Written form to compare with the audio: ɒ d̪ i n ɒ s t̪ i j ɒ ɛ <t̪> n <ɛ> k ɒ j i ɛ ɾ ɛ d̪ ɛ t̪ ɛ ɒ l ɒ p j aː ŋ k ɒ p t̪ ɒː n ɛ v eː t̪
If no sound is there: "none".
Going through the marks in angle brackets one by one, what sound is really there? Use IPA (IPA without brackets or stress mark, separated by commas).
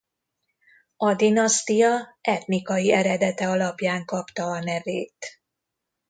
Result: t̪, i